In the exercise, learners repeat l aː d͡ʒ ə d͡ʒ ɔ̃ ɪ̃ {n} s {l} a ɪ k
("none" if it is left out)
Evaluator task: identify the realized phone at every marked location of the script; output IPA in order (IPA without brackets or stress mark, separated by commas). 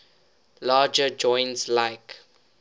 n, l